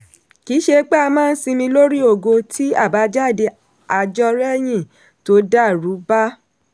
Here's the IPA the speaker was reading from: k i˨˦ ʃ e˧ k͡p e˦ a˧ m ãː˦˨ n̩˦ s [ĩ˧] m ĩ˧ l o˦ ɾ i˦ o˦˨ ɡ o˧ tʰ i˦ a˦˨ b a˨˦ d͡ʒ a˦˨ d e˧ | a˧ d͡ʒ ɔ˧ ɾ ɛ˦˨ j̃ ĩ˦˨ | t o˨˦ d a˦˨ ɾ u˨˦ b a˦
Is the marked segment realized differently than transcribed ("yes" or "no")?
yes